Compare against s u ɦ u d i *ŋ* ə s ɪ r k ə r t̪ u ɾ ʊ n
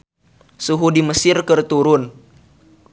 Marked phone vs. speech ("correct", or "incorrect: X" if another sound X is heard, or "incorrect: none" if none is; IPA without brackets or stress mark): incorrect: m